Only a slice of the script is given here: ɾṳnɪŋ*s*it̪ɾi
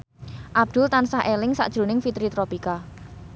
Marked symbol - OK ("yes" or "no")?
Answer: no